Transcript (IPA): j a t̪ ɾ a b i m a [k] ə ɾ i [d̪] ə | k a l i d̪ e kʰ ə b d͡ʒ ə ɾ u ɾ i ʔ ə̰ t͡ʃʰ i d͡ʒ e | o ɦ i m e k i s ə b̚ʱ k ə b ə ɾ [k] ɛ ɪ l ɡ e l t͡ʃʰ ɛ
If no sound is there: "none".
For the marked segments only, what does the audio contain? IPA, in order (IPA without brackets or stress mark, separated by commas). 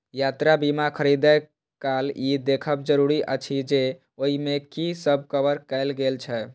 kʰ, d̪, k